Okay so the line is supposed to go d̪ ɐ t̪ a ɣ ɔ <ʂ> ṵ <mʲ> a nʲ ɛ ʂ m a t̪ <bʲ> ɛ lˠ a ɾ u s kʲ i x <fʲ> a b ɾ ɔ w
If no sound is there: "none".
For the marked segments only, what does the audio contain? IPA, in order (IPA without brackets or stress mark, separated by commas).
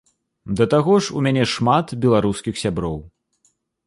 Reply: ʂ, mʲ, bʲ, sʲ